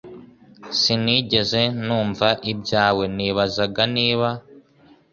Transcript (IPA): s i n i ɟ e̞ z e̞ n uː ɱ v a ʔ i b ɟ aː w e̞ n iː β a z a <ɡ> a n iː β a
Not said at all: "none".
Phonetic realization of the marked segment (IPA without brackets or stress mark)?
ɡ